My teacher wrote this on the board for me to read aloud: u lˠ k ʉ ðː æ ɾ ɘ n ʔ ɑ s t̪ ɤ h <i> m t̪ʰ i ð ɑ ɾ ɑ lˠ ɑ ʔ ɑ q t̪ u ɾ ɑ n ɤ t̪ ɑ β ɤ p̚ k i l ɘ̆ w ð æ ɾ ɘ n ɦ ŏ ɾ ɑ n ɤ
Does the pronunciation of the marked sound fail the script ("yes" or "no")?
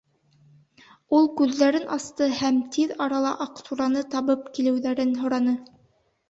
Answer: yes